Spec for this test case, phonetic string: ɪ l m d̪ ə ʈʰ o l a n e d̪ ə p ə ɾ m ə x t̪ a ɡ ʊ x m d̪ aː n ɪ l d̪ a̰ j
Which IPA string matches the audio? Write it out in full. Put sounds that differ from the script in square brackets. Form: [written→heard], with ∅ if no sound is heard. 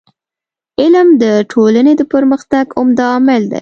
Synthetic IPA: ɪ l m d̪ ə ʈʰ o l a n e d̪ ə p ə ɾ m ə x t̪ a ɡ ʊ [x→∅] m d̪ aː [n→m] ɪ l d̪ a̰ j